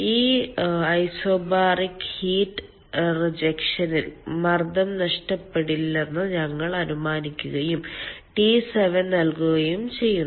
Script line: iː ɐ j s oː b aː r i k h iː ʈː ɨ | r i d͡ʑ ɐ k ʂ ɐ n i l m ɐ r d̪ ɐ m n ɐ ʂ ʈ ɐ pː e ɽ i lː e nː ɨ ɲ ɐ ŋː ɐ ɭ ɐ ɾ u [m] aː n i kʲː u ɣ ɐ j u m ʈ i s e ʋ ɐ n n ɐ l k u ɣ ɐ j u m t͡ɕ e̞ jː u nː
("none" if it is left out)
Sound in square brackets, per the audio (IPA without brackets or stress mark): m